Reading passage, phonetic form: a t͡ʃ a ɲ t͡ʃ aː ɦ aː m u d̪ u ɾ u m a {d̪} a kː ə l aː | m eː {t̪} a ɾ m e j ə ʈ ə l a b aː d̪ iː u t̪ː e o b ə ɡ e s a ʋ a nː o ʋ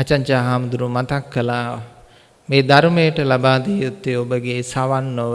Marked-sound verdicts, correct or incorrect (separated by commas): incorrect, incorrect